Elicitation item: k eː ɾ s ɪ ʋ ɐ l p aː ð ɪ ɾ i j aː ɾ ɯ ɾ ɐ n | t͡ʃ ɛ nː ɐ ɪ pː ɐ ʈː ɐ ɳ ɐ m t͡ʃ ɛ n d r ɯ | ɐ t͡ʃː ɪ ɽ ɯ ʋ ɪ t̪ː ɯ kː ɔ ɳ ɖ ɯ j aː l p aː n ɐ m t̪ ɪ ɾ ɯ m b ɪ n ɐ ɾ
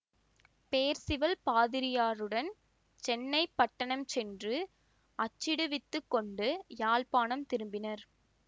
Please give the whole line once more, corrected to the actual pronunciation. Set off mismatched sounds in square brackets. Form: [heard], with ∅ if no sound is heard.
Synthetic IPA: [p] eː ɾ s ɪ ʋ ɐ l p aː ð ɪ ɾ [ɪ] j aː ɾ ɯ [ɽ] ɐ n | t͡ʃ ɛ nː ɐ ɪ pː ɐ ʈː ɐ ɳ ɐ m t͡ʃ ɛ n d r ɯ | ɐ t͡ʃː ɪ ɽ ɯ ʋ ɪ t̪ː ɯ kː ɔ ɳ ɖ ɯ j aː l p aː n ɐ m t̪ ɪ ɾ ɯ m b ɪ n ɐ ɾ

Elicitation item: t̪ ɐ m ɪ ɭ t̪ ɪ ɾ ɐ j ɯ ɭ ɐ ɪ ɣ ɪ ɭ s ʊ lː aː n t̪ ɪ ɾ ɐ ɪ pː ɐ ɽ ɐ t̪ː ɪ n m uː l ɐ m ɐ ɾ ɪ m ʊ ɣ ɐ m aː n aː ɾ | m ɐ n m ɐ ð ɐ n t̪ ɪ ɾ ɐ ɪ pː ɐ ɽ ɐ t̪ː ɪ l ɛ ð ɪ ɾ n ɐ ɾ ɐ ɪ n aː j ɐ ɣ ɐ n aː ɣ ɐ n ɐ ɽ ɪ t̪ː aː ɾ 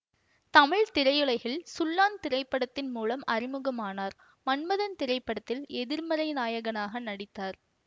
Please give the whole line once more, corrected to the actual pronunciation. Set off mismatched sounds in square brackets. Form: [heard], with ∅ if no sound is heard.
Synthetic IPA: t̪ ɐ m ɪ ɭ t̪ ɪ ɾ ɐ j ɯ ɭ ɐ ɪ ɣ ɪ ɭ s ʊ lː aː n t̪ ɪ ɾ ɐ ɪ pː ɐ ɽ ɐ t̪ː ɪ n m uː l ɐ m ɐ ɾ ɪ m [ɯ] ɣ ɐ m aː n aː ɾ | m ɐ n m ɐ ð ɐ n t̪ ɪ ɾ ɐ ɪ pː ɐ ɽ ɐ t̪ː ɪ l ɛ ð ɪ ɾ [m] ɐ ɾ ɐ ɪ n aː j ɐ ɣ ɐ n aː ɣ ɐ n ɐ ɽ ɪ t̪ː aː ɾ

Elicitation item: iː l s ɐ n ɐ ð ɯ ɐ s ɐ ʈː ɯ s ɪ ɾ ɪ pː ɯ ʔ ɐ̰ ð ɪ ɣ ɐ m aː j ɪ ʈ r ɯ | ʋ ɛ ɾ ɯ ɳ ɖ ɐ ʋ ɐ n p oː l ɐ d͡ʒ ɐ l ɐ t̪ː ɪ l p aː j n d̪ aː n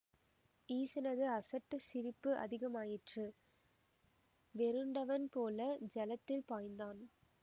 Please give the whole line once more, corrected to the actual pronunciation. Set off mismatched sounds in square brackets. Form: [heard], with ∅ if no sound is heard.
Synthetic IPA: iː [∅] s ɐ n ɐ ð ɯ ɐ s ɐ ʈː ɯ s ɪ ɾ ɪ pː ɯ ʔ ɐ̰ ð ɪ ɣ ɐ m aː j ɪ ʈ r ɯ | ʋ ɛ ɾ ɯ ɳ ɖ ɐ ʋ ɐ n p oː l ɐ d͡ʒ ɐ l ɐ t̪ː ɪ l p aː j n d̪ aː n

